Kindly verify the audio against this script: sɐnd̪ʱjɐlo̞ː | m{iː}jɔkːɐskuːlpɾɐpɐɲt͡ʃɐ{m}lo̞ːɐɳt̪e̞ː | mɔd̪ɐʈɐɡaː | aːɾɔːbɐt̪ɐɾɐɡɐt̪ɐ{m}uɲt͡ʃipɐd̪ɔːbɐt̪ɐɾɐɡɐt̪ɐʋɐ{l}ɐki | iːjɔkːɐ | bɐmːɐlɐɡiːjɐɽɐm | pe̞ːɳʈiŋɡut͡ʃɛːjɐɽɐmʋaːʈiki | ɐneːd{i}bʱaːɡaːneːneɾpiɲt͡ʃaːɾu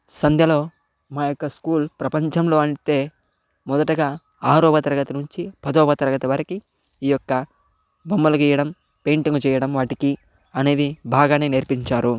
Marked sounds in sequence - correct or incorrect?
incorrect: aː, correct, incorrect: n, incorrect: ɾ, correct

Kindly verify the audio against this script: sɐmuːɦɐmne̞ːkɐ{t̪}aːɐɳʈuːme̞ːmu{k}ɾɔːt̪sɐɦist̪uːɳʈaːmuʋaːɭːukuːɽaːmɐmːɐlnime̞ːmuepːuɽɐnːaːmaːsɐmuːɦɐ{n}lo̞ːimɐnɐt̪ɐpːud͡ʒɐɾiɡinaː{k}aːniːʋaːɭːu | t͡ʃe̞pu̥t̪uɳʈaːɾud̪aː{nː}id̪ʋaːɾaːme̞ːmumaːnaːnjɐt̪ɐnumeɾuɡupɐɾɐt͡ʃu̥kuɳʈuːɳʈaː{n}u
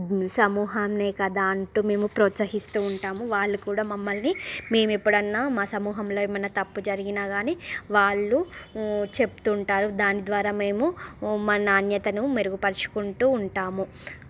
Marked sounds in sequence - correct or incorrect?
incorrect: d̪, incorrect: p, incorrect: m, incorrect: ɡ, incorrect: n, incorrect: m

